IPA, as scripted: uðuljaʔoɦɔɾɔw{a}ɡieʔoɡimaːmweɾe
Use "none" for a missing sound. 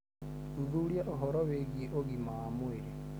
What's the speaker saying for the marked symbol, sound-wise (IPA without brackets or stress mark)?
e